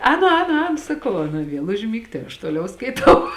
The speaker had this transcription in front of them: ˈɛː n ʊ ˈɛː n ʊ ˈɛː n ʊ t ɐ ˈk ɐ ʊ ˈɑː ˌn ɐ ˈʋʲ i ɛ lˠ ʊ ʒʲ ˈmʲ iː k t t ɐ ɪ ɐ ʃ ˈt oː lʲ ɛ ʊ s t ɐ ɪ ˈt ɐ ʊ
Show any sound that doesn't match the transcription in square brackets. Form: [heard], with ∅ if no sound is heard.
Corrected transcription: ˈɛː n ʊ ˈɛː n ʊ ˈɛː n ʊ [s] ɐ ˈk ɐ ʊ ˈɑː ˌn ɐ ˈʋʲ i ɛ lˠ ʊ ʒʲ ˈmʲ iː k t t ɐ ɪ ɐ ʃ ˈt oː lʲ ɛ ʊ s [k] ɐ ɪ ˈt ɐ ʊ

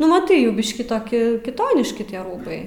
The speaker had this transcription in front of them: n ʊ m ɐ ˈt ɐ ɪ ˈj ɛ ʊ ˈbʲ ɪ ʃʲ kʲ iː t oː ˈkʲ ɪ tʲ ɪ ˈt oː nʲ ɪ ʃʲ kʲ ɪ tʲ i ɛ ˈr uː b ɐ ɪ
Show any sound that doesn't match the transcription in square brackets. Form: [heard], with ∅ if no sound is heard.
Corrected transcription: n ʊ m ɐ ˈt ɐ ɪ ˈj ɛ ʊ ˈbʲ ɪ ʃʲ kʲ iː t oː ˈkʲ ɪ [kʲ] ɪ ˈt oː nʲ ɪ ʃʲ kʲ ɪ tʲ i ɛ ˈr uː b ɐ ɪ

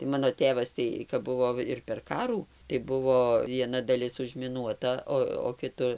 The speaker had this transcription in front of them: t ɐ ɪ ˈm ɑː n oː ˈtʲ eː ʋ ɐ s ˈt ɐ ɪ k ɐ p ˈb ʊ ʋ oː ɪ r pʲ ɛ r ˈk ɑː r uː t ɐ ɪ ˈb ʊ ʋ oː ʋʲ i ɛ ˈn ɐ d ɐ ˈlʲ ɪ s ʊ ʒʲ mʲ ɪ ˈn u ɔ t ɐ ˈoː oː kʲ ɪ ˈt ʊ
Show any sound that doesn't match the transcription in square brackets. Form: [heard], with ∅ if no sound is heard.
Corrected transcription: t ɐ ɪ ˈm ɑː n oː ˈtʲ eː ʋ ɐ s ˈt ɐ ɪ k ɐ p ˈb ʊ ʋ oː ɪ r pʲ ɛ r ˈk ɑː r uː t ɐ ɪ ˈb ʊ ʋ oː ʋʲ i ɛ ˈn ɐ d ɐ ˈlʲ ɪ s ʊ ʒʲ mʲ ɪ ˈn u ɔ t ɐ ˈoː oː kʲ ɪ ˈt ʊ

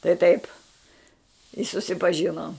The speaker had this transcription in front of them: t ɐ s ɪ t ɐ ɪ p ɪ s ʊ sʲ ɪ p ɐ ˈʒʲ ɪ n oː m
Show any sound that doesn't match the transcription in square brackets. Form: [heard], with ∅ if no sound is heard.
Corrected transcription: t ɐ [∅] ɪ t ɐ ɪ p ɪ s ʊ sʲ ɪ p ɐ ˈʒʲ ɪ n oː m

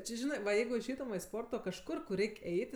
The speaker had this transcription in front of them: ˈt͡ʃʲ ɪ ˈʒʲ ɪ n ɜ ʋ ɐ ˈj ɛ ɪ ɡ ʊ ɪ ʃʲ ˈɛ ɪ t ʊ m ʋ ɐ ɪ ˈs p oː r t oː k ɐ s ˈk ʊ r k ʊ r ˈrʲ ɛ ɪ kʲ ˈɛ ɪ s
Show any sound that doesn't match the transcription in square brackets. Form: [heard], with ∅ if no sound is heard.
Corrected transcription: ˈt͡ʃʲ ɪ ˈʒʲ ɪ n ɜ ʋ ɐ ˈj ɛ ɪ ɡ ʊ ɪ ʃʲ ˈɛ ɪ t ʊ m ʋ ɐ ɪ ˈs p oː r t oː k ɐ [ʃ] ˈk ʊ r k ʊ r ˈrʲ ɛ ɪ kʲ ˈɛ ɪ [t]

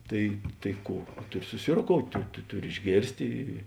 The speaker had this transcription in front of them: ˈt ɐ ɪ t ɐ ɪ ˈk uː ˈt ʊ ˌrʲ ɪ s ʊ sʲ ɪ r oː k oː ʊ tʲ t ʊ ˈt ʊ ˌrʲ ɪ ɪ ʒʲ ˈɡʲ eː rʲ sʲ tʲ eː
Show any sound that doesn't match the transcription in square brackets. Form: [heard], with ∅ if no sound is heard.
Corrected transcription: ˈt ɐ ɪ t ɐ ɪ ˈk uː ˈt ʊ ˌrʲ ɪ s ʊ sʲ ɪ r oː k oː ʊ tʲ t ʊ ˈt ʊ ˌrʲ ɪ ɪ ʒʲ ˈɡʲ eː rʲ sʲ tʲ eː

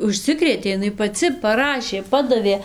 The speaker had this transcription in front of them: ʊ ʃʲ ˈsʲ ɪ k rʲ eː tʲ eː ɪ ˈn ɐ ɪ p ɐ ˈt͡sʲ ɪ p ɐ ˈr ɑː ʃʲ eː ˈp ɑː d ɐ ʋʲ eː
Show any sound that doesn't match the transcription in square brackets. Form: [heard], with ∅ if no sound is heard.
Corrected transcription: ʊ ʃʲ ˈsʲ ɪ k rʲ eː tʲ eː ɪ ˈn ɐ ɪ p ɐ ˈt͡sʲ ɪ p ɐ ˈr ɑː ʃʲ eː ˈp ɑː d ɐ ʋʲ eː

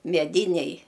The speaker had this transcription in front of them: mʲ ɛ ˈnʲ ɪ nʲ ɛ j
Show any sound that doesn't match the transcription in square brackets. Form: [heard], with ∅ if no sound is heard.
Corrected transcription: mʲ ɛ [ˈdʲ] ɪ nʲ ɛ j

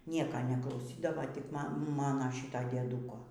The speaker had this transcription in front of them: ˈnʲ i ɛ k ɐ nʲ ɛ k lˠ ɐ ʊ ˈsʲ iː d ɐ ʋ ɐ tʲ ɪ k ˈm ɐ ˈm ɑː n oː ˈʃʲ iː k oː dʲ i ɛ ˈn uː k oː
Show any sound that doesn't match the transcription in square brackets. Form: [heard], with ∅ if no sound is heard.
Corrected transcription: ˈnʲ i ɛ k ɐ nʲ ɛ k lˠ ɐ ʊ ˈsʲ iː d ɐ ʋ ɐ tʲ ɪ k ˈm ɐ ˈm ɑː n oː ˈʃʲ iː [t] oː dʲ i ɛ [ˈd] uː k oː

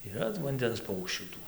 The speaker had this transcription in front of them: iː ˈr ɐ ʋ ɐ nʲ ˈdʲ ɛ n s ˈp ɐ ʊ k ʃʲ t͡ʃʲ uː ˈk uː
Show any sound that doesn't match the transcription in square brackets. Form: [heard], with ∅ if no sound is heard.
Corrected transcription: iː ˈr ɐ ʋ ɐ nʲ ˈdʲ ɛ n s ˈp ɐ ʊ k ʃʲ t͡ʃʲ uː [ˈt] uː

